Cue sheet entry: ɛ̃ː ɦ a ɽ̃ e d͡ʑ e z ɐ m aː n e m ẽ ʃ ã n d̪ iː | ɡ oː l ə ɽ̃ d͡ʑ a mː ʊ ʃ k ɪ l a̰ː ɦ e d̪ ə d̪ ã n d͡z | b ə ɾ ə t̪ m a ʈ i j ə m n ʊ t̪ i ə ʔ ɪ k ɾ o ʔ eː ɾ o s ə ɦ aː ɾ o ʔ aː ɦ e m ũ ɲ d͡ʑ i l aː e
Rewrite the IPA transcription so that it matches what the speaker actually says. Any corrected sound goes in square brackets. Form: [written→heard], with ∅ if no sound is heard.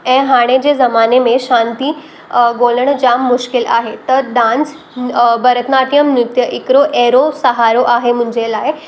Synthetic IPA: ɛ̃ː ɦ a ɽ̃ e d͡ʑ e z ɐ m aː n e m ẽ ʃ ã n [d̪→t̪] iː | ɡ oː l ə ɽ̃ d͡ʑ a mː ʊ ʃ k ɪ l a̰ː ɦ e [d̪→t̪] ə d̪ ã n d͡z | b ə ɾ ə t̪ [m→n] a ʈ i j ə m n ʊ t̪ [i→j] ə ʔ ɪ k ɾ o ʔ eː ɾ o s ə ɦ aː ɾ o ʔ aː ɦ e m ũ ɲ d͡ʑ [i→e] l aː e